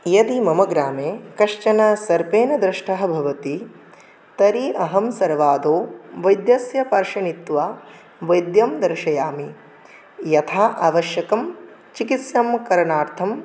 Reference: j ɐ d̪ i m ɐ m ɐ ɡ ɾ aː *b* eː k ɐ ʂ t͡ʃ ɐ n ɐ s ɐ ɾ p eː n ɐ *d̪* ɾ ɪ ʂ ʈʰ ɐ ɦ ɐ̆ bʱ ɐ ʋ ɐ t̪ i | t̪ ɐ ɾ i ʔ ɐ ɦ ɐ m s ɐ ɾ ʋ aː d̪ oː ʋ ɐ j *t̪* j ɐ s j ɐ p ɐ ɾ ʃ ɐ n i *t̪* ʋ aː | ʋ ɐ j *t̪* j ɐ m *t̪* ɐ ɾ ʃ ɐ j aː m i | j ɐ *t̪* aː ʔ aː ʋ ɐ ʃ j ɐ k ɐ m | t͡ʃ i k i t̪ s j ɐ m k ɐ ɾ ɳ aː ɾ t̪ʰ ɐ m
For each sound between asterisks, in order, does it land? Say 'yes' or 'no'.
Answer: no, yes, no, yes, no, no, no

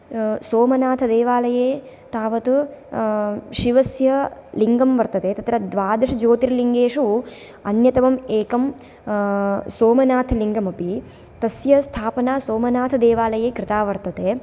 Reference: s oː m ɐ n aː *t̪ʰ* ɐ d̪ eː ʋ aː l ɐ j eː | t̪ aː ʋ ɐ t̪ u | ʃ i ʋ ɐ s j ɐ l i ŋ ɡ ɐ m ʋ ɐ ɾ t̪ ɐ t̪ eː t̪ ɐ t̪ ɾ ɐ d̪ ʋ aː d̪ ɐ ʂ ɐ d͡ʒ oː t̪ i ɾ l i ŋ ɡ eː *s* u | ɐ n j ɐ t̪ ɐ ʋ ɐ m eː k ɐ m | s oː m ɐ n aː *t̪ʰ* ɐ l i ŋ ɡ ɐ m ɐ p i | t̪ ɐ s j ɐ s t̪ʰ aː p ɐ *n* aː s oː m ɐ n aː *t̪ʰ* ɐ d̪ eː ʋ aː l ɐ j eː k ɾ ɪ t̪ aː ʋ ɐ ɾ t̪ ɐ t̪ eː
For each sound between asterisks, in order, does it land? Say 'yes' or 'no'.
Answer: yes, no, yes, yes, yes

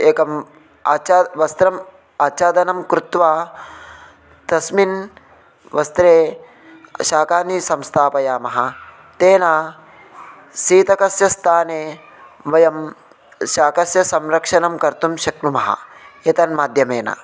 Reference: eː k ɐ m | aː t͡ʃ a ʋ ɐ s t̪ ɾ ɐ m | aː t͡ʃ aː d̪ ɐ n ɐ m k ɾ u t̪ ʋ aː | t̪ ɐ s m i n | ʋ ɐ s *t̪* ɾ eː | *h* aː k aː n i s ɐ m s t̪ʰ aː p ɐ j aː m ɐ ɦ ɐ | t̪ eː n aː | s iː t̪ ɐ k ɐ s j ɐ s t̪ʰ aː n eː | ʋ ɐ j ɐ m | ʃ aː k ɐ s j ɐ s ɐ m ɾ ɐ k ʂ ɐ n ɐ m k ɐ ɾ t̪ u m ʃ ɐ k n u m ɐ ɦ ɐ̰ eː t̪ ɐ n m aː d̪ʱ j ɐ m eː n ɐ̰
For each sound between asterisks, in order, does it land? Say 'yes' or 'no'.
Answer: yes, no

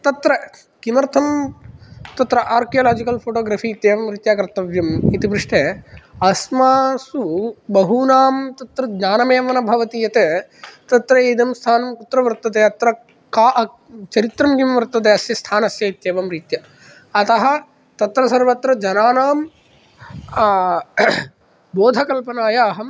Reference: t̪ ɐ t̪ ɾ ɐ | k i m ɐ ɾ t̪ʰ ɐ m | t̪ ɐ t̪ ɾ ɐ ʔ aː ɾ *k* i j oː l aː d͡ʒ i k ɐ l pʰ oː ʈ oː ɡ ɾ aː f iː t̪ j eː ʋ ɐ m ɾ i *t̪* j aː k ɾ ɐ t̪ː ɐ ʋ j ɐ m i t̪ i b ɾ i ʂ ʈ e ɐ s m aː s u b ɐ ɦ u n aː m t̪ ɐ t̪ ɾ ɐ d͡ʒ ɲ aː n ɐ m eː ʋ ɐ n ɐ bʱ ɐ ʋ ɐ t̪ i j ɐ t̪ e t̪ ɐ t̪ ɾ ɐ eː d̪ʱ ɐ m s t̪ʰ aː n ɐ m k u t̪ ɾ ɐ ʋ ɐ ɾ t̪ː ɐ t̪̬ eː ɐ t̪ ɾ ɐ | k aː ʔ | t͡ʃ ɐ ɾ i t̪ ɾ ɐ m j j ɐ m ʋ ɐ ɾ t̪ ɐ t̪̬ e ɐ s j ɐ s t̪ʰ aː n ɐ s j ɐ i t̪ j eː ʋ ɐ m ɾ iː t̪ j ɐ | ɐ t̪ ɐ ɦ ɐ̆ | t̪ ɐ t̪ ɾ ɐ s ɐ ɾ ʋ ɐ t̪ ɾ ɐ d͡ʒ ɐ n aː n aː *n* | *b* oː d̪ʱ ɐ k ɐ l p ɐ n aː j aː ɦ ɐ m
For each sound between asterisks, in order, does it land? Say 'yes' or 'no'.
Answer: yes, yes, no, yes

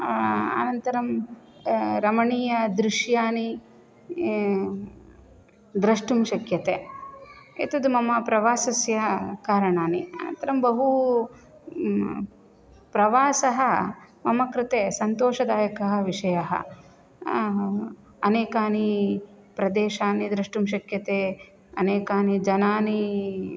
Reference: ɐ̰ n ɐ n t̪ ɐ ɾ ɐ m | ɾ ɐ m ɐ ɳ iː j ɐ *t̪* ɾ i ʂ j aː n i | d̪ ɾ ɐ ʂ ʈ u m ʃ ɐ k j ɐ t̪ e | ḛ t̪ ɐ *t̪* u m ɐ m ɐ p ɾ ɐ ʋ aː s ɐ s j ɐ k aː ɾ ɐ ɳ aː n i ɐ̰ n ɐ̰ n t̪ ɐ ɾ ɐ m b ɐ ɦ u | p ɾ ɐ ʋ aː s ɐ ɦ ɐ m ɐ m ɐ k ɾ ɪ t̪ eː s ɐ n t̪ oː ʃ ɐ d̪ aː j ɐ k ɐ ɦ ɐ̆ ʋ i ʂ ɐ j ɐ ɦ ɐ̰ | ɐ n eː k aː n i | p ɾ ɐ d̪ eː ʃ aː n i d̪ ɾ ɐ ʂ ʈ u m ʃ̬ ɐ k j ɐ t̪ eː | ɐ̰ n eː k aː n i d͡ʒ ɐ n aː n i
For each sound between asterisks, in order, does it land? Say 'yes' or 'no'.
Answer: no, no

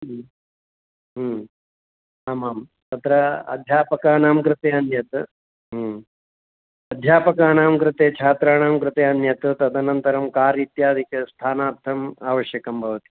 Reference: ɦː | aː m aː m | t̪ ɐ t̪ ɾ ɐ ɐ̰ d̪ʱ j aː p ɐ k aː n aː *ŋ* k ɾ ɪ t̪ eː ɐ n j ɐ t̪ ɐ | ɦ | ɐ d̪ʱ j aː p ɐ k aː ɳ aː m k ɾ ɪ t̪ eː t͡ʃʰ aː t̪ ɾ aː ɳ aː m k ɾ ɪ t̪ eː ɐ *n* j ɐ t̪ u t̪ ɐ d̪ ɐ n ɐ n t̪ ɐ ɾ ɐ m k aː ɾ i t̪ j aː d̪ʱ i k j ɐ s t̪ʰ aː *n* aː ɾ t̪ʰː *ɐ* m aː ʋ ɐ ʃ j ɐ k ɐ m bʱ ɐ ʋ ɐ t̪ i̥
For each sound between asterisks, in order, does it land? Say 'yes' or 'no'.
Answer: no, yes, yes, yes

